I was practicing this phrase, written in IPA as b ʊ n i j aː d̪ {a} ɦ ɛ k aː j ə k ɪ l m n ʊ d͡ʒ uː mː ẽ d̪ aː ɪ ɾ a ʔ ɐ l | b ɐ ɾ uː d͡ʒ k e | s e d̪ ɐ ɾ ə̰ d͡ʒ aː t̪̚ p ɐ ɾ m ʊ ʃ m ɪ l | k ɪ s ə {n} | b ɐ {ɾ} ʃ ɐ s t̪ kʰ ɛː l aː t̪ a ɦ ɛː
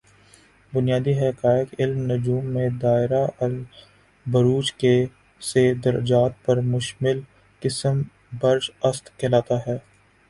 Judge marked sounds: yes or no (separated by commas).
no, no, yes